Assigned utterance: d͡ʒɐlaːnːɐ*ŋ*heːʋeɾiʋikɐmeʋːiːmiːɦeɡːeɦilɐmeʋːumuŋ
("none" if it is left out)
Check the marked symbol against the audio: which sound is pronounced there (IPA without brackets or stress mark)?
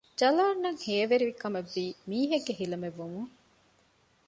ŋ